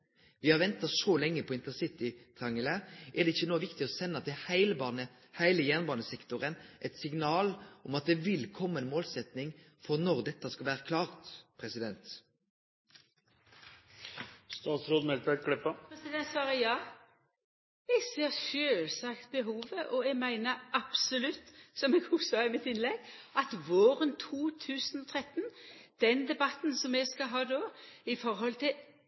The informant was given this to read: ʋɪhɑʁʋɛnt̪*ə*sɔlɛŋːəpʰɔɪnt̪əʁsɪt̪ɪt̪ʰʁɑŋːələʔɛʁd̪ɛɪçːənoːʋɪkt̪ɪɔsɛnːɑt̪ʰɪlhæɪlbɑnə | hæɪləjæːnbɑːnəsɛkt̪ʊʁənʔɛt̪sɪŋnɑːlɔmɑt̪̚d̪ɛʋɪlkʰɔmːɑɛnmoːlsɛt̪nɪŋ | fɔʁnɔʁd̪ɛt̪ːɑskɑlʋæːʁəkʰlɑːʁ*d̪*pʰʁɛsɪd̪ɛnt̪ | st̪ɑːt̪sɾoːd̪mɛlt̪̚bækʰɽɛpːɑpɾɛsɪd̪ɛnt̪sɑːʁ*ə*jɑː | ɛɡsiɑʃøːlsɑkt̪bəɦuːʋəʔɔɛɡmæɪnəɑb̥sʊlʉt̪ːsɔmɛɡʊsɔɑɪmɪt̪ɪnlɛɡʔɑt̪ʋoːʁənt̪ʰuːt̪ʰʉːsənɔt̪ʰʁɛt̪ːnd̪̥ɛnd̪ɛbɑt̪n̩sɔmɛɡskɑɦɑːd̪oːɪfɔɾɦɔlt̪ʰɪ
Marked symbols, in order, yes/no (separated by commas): no, no, yes